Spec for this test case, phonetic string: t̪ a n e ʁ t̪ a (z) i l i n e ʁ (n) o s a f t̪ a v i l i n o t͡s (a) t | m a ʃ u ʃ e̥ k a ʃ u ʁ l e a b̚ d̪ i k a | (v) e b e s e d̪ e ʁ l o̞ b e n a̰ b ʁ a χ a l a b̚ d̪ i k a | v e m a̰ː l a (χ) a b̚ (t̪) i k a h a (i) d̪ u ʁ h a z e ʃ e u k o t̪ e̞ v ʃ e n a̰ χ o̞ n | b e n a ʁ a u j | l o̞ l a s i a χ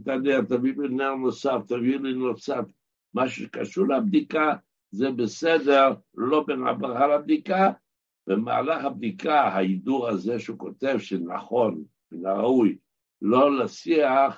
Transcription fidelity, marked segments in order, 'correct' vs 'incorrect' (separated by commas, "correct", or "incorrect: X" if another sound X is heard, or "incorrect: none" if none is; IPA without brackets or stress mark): incorrect: v, correct, correct, incorrect: z, correct, incorrect: d̪, correct